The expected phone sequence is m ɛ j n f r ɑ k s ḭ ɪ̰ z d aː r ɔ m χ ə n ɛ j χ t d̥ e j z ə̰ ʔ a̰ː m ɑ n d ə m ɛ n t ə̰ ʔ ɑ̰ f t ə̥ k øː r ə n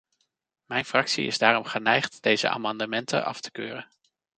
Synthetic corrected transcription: m ɛ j n f r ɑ k s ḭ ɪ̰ z d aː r ɔ m χ ə n ɛ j χ t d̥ e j z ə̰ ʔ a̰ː m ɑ n d ə m ɛ n t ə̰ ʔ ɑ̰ f t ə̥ k øː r ə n